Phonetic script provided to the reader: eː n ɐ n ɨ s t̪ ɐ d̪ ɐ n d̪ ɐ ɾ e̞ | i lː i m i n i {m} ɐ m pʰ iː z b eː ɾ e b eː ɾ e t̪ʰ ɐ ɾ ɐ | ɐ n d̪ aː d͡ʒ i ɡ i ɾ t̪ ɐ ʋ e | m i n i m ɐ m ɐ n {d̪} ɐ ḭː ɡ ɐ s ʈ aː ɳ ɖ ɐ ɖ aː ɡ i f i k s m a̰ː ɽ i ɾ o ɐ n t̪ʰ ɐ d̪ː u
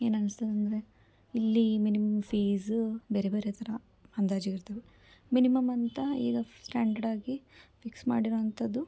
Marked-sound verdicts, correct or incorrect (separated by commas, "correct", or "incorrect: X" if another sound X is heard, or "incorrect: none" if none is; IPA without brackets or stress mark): correct, incorrect: t̪